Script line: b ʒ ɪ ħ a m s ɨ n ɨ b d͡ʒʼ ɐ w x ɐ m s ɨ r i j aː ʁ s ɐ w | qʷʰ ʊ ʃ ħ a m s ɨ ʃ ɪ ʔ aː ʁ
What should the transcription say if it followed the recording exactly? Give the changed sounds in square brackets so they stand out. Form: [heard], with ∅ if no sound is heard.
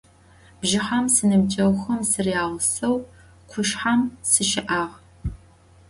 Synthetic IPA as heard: b ʒ ɪ ħ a m s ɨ n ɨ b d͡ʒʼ ɐ w x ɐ m s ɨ r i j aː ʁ s ɐ w | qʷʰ ʊ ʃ ħ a m s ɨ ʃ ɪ ʔ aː ʁ